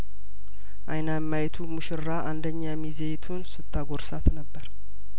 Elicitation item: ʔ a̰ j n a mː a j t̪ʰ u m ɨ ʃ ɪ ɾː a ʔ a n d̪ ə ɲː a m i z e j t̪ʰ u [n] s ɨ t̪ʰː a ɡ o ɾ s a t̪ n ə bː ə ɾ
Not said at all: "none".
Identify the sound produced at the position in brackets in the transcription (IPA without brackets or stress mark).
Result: n